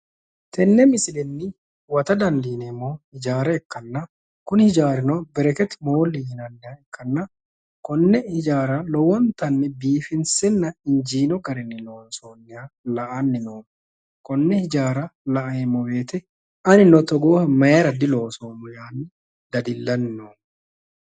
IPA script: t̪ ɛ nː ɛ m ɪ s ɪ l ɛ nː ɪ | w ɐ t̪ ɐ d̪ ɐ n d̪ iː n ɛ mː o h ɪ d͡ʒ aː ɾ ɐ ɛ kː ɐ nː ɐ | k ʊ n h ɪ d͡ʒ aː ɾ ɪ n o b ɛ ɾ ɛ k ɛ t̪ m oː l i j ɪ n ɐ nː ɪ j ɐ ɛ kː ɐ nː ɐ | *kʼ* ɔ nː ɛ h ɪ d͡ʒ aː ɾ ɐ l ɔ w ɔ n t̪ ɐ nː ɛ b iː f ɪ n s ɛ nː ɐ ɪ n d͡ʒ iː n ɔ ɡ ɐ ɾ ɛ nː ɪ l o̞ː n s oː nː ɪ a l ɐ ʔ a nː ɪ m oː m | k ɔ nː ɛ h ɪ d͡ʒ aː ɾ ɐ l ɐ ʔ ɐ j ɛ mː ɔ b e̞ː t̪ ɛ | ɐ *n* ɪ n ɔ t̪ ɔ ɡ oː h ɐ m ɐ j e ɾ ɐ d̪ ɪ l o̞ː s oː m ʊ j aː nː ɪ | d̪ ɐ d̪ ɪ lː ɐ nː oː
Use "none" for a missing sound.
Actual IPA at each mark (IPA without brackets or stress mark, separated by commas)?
k, n